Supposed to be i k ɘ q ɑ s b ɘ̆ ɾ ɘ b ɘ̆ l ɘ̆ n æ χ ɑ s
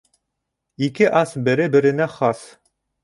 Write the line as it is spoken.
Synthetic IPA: i k ɘ ʔ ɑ s b ɘ̆ ɾ ɘ b ɘ̆ ɾ ɘ̆ n æ χ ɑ s